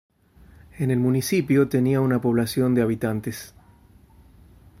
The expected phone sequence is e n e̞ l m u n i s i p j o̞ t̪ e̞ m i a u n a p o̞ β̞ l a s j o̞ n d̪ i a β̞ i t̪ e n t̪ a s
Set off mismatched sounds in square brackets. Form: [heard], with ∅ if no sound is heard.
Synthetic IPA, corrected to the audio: e n e̞ l m u n i s i p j o̞ t̪ e̞ [n] i a u n a p o̞ β̞ l a s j o̞ n d̪ [e] a β̞ i t̪ [a] n t̪ [e] s